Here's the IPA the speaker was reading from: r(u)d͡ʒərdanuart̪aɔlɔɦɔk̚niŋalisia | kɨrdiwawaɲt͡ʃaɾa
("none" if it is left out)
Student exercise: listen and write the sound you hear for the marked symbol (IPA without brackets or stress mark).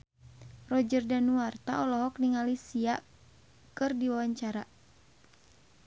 ɔ